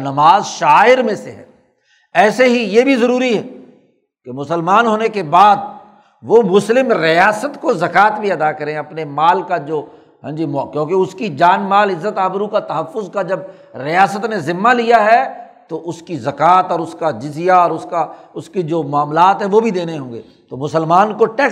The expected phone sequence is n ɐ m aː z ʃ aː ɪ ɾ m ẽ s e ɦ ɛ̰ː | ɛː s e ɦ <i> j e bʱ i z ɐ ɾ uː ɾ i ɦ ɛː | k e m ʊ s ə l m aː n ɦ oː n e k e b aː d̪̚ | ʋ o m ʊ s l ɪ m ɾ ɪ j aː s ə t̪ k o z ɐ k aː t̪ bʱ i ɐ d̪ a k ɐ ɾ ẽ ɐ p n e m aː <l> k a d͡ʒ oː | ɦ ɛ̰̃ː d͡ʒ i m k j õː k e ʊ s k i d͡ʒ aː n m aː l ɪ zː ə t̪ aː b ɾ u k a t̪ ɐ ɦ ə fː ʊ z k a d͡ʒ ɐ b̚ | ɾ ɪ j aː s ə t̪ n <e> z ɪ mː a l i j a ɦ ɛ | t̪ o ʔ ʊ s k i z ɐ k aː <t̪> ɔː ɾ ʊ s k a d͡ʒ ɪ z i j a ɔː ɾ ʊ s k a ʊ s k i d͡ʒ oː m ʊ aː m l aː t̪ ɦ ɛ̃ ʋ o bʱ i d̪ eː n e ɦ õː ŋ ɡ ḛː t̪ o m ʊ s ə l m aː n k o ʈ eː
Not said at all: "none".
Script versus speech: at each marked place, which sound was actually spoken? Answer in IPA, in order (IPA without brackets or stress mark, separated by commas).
i, l, e, t̪